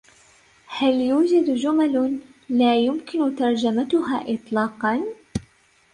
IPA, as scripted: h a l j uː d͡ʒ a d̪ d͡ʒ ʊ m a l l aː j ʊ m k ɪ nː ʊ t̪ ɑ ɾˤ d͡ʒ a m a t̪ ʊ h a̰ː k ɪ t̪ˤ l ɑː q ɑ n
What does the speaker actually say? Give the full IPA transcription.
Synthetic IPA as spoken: h a l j uː d͡ʒ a d̪ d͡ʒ ʊ m a l l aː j ʊ m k ɪ n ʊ t̪ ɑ ɾˤ d͡ʒ a m a t̪ ʊ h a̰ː ʔ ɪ t̪ˤ l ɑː q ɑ n